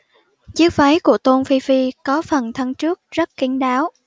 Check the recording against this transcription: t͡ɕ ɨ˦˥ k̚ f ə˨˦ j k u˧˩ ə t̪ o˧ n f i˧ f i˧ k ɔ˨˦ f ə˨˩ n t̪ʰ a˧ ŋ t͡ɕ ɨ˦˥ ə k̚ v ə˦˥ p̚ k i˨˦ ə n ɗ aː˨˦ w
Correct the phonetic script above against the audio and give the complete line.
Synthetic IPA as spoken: t͡ɕ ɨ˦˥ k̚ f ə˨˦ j k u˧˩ ə t̪ o˧ n f i˧ f i˧ k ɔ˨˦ f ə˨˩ n t̪ʰ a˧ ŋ t͡ɕ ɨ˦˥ ə k̚ z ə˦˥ t̚ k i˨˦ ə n ɗ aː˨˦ w